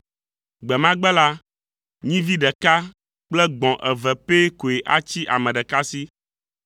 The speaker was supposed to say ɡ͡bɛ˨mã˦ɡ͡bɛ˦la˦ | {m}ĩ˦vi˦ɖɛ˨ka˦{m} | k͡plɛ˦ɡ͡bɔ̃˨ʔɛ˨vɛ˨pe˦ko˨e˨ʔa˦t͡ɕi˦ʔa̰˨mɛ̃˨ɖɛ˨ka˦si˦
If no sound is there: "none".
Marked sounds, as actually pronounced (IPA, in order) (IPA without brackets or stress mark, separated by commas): ɲ, none